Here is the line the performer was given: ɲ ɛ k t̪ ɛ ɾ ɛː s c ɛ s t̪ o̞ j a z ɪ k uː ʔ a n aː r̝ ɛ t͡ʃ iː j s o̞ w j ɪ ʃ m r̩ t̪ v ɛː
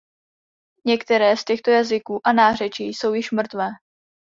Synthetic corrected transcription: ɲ ɛ k t̪ ɛ ɾ ɛː s c ɛ x t̪ o̞ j a z ɪ k uː ʔ a n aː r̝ ɛ t͡ʃ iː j s o̞ w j ɪ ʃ m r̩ t̪ v ɛː

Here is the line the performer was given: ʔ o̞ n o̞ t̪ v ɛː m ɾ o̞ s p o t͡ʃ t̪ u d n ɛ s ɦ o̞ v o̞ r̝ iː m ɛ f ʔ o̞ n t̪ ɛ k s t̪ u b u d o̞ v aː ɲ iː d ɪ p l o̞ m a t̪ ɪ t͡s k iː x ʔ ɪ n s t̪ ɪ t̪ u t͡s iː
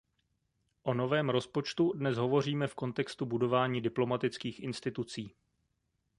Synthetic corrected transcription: ʔ o̞ n o̞ v ɛː m ɾ o̞ s p o t͡ʃ t̪ u d n ɛ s ɦ o̞ v o̞ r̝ iː m ɛ f k o̞ n t̪ ɛ k s t̪ u b u d o̞ v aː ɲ iː d ɪ p l o̞ m a t̪ ɪ t͡s k iː x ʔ ɪ n s t̪ ɪ t̪ u t͡s iː

